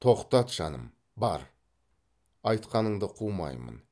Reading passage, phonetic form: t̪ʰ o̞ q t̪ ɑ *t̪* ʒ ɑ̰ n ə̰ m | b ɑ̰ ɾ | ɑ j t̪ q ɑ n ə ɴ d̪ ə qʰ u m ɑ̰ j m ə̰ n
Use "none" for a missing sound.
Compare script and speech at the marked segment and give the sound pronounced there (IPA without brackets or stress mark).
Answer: t̪